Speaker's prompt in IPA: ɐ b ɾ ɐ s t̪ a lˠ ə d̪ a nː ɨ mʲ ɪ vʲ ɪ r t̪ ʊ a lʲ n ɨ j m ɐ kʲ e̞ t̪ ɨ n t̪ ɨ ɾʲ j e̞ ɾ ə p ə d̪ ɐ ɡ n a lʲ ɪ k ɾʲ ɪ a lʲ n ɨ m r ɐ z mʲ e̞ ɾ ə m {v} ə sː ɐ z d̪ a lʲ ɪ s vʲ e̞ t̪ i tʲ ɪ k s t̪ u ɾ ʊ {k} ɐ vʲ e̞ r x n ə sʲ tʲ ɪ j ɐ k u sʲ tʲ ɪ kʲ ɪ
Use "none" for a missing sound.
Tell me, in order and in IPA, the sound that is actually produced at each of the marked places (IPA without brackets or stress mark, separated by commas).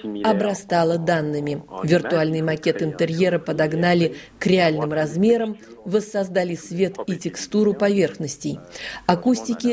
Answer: v, p